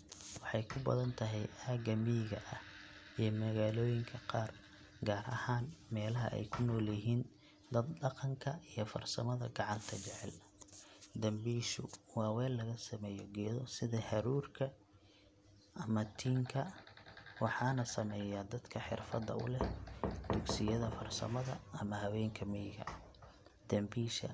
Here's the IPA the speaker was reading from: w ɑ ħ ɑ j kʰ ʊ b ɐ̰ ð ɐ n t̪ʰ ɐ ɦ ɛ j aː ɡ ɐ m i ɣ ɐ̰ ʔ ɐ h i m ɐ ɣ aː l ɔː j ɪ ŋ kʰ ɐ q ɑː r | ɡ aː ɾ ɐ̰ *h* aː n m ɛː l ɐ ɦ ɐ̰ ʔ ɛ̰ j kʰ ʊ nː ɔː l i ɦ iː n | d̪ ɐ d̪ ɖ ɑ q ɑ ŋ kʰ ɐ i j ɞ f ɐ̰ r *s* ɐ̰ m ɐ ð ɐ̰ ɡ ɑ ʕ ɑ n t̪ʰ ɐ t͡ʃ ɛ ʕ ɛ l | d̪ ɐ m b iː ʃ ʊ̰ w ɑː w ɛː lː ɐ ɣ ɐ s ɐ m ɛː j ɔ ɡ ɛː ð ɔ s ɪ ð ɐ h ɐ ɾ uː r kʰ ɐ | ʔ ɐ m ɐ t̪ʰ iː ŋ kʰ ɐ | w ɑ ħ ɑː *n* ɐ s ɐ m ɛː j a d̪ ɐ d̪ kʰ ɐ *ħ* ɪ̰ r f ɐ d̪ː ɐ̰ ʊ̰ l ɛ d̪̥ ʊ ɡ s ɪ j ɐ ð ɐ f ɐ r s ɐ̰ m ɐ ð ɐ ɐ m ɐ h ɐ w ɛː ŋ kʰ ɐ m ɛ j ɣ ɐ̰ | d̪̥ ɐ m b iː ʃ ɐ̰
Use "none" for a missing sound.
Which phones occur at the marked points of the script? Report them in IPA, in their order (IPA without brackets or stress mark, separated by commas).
h, s, n, ħ